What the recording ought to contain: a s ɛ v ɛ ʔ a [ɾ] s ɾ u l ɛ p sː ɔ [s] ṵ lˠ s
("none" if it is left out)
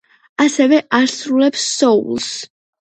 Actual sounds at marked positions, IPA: ɾ, none

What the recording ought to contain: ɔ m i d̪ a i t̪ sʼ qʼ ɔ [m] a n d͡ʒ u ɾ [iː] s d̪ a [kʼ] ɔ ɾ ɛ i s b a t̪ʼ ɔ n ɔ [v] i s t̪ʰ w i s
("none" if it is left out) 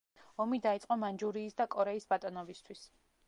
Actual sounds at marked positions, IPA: m, iː, kʼ, b

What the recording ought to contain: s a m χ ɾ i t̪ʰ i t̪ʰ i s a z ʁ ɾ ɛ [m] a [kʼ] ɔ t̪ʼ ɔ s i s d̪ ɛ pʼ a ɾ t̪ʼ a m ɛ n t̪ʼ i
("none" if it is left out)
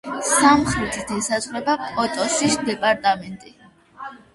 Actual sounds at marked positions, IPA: b, kʼ

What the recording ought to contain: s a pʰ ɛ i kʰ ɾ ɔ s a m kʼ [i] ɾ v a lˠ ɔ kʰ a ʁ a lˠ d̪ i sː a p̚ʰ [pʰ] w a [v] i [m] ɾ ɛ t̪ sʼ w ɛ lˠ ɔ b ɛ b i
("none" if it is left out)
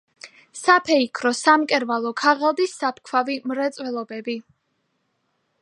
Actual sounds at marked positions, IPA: ɛ, kʰ, v, m

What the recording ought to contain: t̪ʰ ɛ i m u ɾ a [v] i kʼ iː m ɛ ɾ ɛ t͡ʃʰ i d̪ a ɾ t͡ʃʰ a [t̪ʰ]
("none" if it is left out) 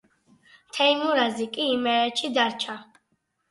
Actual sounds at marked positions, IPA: z, none

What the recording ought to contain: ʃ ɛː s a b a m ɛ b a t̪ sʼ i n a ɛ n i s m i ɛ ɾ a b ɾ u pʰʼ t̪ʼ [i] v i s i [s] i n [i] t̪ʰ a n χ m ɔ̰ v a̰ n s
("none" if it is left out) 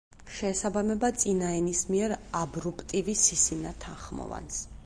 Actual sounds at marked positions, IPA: i, s, a

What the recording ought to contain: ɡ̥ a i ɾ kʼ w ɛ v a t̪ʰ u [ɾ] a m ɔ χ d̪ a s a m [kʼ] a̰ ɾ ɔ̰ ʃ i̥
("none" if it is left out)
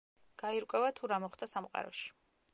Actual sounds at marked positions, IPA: ɾ, qʼ

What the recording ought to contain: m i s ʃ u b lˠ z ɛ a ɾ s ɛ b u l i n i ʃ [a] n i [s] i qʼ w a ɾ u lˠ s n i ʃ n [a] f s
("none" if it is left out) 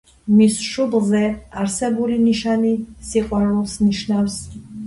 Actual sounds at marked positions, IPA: a, s, a

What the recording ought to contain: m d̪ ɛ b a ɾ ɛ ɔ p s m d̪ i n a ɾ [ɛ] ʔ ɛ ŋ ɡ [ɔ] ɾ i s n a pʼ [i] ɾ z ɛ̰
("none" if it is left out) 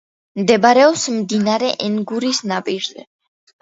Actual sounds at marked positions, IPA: ɛ, u, i

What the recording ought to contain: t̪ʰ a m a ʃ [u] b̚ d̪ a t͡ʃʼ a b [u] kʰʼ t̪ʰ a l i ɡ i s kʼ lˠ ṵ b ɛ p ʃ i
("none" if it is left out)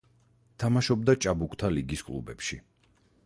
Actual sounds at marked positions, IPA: ɔ, u

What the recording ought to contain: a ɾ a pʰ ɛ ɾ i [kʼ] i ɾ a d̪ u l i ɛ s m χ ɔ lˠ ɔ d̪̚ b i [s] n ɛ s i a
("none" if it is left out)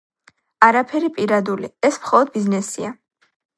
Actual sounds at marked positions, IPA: pʼ, z

